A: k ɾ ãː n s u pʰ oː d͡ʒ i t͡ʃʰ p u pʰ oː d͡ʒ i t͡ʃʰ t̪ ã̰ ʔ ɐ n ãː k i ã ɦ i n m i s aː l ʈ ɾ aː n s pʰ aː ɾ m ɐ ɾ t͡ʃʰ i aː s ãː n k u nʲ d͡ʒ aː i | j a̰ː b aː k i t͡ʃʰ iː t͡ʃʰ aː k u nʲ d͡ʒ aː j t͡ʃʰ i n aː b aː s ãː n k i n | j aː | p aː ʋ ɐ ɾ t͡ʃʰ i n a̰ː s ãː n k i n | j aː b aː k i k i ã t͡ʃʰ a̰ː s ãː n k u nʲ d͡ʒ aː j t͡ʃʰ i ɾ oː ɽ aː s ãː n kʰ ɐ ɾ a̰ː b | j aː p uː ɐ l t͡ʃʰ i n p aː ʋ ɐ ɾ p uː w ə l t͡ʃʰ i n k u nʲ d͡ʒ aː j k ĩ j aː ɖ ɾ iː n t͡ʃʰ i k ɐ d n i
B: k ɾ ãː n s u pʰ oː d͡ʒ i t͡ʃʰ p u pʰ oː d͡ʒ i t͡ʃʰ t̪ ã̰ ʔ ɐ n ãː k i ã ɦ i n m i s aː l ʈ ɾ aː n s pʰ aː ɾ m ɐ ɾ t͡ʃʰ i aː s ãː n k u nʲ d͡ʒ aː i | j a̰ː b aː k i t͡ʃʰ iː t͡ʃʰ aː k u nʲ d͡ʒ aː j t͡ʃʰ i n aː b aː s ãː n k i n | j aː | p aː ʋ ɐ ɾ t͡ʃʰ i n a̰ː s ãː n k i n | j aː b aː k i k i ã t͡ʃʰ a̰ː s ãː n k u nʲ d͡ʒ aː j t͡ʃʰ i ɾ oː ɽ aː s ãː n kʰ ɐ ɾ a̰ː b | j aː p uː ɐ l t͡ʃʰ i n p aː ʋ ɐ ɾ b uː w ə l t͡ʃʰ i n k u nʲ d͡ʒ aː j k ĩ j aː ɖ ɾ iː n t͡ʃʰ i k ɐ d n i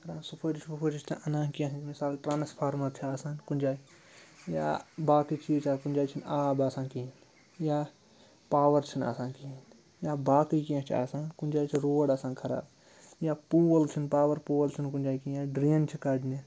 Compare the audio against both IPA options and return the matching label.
A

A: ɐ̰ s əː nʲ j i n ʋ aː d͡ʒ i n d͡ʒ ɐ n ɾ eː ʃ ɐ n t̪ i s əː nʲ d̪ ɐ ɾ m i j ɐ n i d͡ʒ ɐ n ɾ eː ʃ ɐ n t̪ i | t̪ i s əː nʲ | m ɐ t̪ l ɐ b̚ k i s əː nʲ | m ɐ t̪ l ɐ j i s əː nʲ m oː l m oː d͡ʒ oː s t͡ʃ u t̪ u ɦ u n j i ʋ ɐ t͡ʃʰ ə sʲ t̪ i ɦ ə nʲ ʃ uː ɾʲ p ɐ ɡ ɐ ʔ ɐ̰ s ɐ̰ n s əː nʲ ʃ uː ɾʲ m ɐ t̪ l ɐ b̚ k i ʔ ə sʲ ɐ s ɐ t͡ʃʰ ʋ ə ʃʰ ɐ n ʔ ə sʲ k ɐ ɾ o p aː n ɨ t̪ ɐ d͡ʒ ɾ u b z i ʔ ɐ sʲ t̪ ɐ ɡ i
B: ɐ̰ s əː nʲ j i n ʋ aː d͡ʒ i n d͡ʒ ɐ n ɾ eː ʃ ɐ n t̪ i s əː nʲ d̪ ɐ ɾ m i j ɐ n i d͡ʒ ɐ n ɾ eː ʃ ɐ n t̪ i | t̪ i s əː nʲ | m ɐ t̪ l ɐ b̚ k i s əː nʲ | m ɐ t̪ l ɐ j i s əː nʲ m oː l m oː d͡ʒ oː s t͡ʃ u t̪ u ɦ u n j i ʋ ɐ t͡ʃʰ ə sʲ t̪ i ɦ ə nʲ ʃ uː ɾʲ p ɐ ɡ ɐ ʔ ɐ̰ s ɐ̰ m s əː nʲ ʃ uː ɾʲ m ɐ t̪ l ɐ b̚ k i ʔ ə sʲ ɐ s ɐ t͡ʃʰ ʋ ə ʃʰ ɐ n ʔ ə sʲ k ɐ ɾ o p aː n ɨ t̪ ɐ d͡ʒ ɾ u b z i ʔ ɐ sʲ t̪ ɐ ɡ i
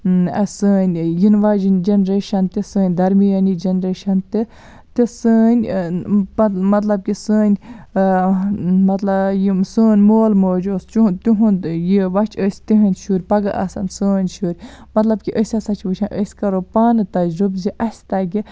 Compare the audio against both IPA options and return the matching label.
A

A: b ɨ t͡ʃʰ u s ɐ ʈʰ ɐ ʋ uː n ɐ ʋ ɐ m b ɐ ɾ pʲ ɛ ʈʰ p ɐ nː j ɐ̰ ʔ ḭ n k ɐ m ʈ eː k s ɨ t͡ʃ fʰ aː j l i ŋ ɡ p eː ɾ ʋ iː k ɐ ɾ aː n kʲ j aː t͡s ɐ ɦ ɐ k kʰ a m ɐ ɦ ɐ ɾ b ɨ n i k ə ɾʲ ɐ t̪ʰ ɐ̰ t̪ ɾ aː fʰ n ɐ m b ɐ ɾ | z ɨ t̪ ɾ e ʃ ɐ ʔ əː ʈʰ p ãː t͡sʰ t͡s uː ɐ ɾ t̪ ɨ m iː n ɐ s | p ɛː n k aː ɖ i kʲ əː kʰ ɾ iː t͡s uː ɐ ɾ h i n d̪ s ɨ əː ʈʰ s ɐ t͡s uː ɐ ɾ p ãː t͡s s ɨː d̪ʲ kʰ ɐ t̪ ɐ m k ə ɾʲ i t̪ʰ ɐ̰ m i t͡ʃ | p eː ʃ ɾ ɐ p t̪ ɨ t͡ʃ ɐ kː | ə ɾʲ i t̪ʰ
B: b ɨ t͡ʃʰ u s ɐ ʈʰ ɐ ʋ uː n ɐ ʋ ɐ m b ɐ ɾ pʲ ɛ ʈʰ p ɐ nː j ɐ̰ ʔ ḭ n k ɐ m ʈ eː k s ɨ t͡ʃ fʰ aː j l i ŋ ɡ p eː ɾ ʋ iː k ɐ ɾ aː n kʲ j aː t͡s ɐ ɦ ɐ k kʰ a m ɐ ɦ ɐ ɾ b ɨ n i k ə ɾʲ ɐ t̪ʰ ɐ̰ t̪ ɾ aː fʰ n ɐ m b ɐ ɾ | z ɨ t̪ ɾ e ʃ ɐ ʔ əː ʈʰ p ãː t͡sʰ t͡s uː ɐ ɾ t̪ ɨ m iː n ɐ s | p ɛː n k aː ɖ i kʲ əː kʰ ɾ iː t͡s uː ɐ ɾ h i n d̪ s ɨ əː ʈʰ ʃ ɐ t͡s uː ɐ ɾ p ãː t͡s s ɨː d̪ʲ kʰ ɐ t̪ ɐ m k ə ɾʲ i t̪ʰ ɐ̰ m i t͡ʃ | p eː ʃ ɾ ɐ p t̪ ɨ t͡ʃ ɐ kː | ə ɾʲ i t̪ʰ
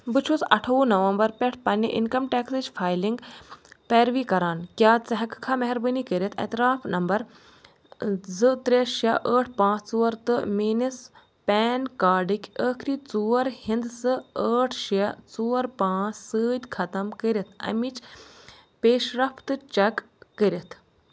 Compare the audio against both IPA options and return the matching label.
B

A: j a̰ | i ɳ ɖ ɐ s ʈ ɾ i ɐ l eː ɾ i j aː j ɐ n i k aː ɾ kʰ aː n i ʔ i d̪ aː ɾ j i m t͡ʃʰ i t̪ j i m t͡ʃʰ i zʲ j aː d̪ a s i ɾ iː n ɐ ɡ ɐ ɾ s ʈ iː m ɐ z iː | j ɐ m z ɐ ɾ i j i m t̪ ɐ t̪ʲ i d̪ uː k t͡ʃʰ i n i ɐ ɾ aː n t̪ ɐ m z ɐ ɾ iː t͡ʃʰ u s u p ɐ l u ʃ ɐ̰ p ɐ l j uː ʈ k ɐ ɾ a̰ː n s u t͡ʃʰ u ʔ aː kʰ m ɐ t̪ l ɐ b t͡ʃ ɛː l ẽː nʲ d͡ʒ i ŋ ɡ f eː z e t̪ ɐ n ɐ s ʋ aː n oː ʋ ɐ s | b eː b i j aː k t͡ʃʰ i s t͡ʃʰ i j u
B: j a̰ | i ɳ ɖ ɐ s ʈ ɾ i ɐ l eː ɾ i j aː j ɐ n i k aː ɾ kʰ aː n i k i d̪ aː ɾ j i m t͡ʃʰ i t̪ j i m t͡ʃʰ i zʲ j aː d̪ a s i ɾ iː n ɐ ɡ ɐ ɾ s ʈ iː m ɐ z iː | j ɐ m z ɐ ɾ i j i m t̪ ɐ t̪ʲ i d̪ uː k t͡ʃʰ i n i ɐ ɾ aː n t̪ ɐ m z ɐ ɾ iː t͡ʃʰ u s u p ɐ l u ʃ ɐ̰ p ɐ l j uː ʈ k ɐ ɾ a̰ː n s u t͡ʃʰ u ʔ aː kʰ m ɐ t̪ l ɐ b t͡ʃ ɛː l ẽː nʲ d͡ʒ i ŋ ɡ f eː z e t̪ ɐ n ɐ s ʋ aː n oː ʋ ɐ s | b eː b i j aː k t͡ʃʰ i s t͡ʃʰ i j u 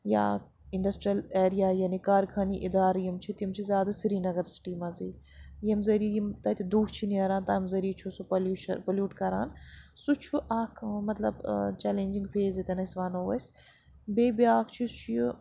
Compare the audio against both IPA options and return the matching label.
A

